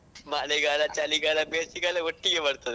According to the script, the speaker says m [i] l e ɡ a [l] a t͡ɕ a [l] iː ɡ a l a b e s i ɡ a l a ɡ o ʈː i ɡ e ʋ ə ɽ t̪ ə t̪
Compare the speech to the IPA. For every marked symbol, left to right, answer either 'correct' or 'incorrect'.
incorrect, correct, correct

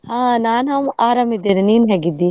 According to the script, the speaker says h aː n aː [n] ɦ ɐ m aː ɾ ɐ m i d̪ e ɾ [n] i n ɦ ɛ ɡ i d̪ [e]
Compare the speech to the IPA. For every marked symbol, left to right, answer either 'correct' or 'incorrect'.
correct, correct, incorrect

